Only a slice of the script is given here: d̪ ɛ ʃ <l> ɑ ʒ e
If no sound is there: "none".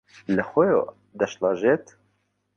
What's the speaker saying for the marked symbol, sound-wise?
l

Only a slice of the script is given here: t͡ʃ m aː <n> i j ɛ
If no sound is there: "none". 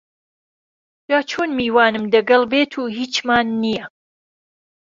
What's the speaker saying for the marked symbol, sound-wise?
nː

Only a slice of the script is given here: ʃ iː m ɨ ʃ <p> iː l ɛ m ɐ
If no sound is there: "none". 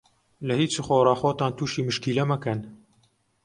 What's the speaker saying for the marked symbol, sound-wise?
k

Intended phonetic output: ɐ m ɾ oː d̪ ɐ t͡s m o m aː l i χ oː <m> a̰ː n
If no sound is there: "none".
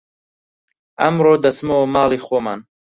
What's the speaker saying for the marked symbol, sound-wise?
m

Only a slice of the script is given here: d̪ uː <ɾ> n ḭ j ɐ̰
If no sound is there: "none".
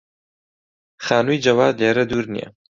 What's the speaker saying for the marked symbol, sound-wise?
ɾ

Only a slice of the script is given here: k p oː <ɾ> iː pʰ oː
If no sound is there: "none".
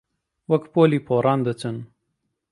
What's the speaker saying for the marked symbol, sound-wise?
l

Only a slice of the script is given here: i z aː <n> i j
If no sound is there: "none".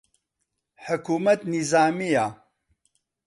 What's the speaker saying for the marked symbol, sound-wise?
m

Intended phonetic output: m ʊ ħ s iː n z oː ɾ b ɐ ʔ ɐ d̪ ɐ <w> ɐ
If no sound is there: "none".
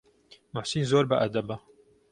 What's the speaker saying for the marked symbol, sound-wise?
b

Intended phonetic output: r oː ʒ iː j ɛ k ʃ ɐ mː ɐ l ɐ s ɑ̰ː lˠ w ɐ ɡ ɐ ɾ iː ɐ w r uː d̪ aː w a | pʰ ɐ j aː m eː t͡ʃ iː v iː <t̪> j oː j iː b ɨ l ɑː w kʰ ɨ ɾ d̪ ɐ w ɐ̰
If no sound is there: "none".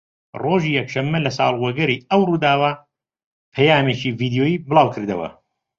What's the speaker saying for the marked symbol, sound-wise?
d̪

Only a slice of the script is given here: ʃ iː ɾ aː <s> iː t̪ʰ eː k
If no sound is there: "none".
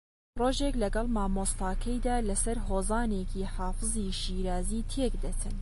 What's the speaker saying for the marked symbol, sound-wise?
z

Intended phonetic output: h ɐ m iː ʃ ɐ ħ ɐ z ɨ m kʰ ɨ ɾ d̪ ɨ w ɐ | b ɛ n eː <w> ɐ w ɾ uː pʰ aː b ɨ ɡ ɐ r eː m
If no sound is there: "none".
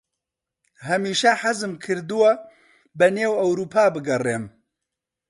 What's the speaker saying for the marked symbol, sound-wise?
w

